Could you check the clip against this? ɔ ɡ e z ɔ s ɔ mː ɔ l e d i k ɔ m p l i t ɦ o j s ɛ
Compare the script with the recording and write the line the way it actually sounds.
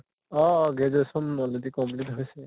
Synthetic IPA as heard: ɔ ɡ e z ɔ s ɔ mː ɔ l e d i k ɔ m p l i t ɦ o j s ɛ

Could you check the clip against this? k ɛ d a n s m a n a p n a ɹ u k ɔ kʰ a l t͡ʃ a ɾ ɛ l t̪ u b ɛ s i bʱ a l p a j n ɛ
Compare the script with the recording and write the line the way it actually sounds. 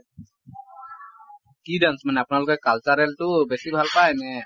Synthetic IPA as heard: k i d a n s m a n a p n a l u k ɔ k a l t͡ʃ a ɾ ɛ l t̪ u b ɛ s i bʱ a l p a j n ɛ

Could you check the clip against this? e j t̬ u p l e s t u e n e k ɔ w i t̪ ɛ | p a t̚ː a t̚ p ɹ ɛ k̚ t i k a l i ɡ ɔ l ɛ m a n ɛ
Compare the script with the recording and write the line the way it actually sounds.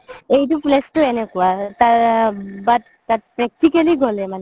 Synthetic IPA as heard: e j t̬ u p l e s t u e n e k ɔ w a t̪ a | b a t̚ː a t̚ p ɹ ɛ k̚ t i k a l i ɡ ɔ l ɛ m a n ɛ

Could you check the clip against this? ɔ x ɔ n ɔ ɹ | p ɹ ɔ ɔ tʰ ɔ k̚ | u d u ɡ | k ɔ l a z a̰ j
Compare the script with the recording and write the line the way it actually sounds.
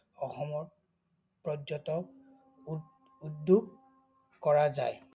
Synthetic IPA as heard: ɔ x ɔ m ɔ ɹ | p ɹ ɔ ɔ t ɔ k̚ | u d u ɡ | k ɔ ɹ a z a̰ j

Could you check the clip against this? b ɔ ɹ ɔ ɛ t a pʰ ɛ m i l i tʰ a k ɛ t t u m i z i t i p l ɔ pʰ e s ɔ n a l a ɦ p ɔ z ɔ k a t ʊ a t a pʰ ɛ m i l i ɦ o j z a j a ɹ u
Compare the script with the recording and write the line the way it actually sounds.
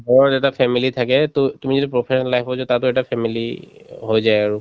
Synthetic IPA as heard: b ɔ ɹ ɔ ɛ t a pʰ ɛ m i l i tʰ a k ɛ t t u m i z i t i p ɹ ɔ pʰ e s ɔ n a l a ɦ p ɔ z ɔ t a t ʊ ɛ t a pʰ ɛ m i l i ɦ o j z a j a ɹ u

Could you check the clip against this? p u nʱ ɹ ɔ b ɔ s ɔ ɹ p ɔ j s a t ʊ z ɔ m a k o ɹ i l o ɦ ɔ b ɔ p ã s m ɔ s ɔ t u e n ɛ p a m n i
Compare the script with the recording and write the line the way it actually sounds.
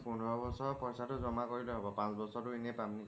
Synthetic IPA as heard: p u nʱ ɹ ɔ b ɔ s ɔ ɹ p ɔ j s a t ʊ z ɔ m a k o ɹ i l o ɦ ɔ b ɔ p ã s b ɔ s ɔ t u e n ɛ p a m n i

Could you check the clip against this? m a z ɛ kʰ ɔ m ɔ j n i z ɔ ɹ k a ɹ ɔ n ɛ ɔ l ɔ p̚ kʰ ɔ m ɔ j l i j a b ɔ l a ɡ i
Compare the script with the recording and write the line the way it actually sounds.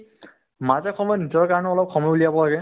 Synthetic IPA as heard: m a z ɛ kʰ ɔ m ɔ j n i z ɔ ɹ k a ɹ ɔ n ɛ ɔ l ɔ p̚ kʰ ɔ m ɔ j l i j a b ɔ l a ɡ ɛ

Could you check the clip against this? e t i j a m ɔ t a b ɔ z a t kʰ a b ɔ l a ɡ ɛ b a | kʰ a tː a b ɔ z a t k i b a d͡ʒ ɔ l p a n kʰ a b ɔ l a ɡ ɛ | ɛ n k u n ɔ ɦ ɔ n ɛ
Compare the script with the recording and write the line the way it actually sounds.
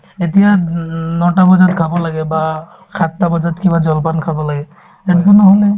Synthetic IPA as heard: e t i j a n ɔ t a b ɔ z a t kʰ a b ɔ l a ɡ ɛ b a | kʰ a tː a b ɔ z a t k i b a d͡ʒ ɔ l p a n kʰ a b ɔ l a ɡ ɛ | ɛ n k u n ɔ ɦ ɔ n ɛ

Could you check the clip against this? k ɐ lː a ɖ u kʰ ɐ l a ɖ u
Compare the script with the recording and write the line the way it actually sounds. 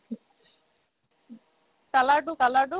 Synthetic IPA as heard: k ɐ l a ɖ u k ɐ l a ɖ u

